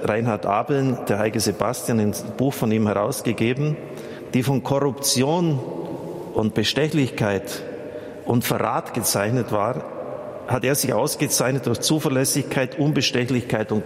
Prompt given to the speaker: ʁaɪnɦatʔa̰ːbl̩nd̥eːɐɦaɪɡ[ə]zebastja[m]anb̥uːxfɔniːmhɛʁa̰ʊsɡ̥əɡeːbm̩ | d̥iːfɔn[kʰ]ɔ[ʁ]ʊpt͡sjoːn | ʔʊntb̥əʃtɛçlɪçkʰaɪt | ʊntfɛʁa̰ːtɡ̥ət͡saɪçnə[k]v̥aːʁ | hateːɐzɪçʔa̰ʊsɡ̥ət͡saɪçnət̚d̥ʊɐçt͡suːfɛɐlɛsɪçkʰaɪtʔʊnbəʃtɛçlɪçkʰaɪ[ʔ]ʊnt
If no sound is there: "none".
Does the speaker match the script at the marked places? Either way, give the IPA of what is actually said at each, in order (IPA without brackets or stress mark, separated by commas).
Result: ə, n, kʰ, ʁ, t, t